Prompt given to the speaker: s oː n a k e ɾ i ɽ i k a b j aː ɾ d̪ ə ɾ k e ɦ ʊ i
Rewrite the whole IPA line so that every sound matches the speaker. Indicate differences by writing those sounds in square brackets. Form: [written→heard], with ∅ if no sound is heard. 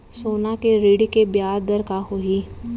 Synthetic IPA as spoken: s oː n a k e ɾ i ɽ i k [a→e] b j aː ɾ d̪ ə ɾ k [e→a] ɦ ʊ i

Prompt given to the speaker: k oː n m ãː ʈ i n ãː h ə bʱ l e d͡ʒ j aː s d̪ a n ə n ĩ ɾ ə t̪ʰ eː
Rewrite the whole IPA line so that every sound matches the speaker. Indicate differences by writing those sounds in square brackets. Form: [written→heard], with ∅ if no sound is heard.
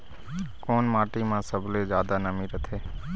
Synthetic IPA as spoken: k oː n m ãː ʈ i [n→m] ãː [h→s] ə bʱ l e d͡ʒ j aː [s→∅] d̪ a n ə [n→m] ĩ ɾ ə t̪ʰ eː

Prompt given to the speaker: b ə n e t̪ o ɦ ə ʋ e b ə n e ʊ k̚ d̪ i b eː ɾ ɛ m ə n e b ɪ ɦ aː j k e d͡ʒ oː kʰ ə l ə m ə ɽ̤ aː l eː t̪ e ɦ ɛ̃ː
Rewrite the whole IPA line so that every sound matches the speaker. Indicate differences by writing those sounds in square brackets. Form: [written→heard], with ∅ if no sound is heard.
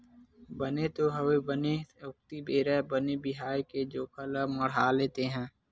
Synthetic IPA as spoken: b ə n e t̪ o ɦ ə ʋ e b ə n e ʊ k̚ [d̪→t̪] i b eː ɾ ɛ [m→b] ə n e b ɪ ɦ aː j k e d͡ʒ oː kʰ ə l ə m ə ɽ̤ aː l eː t̪ e ɦ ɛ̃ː

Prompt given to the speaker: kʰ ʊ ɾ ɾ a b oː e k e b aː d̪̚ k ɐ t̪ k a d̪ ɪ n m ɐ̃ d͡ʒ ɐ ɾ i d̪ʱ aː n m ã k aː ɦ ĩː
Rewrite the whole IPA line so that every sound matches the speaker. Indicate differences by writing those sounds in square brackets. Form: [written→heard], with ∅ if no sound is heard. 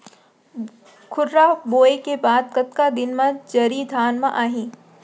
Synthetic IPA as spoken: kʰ ʊ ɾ ɾ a b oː e k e b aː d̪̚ k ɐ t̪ k a d̪ ɪ n m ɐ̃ d͡ʒ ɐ ɾ i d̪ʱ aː n m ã [k→ʔ] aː ɦ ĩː

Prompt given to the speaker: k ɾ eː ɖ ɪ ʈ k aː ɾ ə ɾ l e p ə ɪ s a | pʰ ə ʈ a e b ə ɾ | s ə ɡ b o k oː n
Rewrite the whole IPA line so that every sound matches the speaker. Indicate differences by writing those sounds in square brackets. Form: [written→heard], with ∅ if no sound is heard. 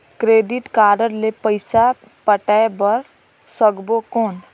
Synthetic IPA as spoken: k ɾ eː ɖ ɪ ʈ k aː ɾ ə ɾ l e p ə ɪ s a | [pʰ→p] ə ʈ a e b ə ɾ | s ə ɡ b o k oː n

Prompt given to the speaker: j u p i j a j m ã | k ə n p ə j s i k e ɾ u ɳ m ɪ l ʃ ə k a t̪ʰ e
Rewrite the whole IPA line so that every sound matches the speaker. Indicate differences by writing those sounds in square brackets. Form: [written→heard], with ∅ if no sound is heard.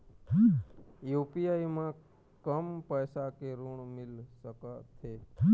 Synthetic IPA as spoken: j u p i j a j m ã | k ə [n→m] p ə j s [i→a] k e ɾ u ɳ m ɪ l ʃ ə k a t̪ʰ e

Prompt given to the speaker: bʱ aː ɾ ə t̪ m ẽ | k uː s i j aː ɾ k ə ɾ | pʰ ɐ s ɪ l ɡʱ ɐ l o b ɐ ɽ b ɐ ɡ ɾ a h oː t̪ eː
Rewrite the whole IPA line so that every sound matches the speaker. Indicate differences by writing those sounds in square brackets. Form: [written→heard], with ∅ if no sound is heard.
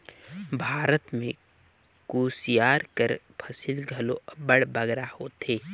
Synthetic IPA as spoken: bʱ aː ɾ ə t̪ m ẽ | k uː s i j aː ɾ k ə ɾ | pʰ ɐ s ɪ l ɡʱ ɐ l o b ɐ ɽ b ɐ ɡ ɾ a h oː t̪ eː

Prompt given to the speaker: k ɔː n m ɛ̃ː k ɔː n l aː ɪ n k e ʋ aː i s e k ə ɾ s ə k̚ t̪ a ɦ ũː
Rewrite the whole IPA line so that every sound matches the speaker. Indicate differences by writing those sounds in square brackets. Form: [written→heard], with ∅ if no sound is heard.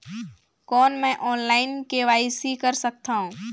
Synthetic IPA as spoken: k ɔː n m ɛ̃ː [k→ʔ] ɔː n l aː ɪ n k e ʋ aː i s [e→i] k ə ɾ s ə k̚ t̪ a ɦ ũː

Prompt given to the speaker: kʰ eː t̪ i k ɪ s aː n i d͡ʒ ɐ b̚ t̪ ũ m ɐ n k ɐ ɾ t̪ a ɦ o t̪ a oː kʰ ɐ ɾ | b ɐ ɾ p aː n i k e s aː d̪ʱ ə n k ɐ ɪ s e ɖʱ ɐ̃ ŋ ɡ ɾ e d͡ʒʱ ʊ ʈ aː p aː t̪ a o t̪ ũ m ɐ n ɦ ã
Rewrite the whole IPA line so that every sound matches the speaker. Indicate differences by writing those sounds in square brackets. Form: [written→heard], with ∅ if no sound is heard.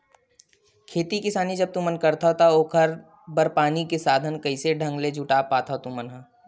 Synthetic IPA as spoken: kʰ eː t̪ i k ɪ s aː n i d͡ʒ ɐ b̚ t̪ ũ m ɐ n k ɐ ɾ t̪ a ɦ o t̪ a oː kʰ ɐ ɾ | b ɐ ɾ p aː n i k e s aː d̪ʱ ə n k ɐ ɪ s e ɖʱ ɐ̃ ŋ ɡ [ɾ→l] e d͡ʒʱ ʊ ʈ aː p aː t̪ a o t̪ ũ m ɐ n ɦ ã

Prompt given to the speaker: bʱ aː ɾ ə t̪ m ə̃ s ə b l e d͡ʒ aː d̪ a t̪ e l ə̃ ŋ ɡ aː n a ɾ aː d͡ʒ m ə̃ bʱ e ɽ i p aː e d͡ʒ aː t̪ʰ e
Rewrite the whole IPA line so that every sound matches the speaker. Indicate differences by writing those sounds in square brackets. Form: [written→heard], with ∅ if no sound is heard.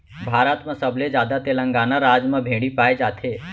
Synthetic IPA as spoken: bʱ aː ɾ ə t̪ m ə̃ s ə b l e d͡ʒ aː d̪ a t̪ e l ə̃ ŋ ɡ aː n a ɾ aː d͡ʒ m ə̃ bʱ e ɽ i p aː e d͡ʒ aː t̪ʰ e

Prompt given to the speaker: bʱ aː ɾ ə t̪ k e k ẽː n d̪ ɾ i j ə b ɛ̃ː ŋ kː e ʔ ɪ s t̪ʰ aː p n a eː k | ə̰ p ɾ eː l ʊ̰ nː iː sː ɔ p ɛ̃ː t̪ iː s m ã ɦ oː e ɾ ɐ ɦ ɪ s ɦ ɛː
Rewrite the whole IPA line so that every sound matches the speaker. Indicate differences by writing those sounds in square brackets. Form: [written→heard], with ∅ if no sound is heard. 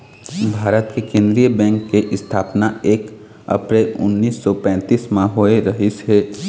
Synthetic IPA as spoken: bʱ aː ɾ ə t̪ k e k ẽː n d̪ ɾ i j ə b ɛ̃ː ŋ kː e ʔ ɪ s t̪ʰ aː p n a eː k | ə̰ p ɾ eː l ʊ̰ nː iː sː ɔ p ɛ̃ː t̪ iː s m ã ɦ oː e ɾ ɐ ɦ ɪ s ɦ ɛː

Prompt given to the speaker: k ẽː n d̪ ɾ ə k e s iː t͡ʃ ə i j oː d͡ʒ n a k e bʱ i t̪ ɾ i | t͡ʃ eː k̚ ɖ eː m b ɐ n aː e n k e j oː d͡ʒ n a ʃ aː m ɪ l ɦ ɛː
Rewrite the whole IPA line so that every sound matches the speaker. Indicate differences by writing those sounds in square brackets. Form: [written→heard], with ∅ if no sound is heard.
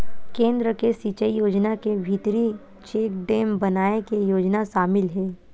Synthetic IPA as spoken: k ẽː n d̪ ɾ ə k e s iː t͡ʃ ə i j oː d͡ʒ n a k e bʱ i t̪ ɾ i | t͡ʃ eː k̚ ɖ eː m b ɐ n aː e [n→∅] k e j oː d͡ʒ n a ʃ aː m ɪ l ɦ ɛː

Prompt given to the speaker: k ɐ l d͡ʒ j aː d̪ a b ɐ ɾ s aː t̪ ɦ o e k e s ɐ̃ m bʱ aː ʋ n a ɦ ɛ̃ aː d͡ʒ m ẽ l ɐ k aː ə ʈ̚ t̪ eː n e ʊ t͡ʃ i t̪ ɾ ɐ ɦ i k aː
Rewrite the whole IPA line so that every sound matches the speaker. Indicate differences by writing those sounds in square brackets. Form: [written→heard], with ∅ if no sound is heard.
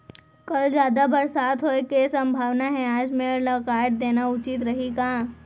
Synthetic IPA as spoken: k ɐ l d͡ʒ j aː d̪ a b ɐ ɾ s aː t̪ ɦ o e k e s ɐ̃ m bʱ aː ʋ n a ɦ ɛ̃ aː d͡ʒ m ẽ l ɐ k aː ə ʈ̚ [t̪→d̪] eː n [e→a] ʊ t͡ʃ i t̪ ɾ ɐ ɦ i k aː

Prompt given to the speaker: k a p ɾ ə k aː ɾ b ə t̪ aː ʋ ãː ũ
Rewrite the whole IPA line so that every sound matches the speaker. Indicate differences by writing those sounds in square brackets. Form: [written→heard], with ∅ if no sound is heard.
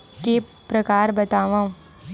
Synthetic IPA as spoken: k [a→e] p ɾ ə k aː ɾ b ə t̪ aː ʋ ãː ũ

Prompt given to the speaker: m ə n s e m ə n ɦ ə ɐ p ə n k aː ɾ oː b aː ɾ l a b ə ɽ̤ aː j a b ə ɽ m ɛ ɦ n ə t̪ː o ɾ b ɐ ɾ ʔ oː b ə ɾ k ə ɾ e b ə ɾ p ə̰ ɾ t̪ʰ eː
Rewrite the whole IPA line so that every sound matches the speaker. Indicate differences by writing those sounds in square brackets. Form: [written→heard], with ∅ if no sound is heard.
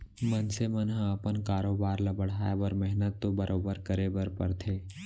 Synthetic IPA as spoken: m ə n s e m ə n ɦ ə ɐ p ə n k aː ɾ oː b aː ɾ l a b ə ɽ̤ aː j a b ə [ɽ→ɾ] m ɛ ɦ n ə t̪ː o [ɾ→∅] b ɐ ɾ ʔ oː b ə ɾ k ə ɾ e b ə ɾ p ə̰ ɾ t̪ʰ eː

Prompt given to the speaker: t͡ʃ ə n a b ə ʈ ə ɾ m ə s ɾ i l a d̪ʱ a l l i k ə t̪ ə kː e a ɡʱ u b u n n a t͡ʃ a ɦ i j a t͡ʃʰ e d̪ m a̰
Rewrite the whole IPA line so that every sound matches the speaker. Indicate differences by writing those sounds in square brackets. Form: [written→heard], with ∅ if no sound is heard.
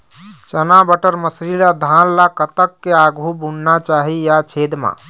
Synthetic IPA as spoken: t͡ʃ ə n a b ə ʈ ə ɾ m ə s ɾ i l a d̪ʱ a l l [i→a] k ə t̪ ə kː e a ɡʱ u b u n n a t͡ʃ a ɦ i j a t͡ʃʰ e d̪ m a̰

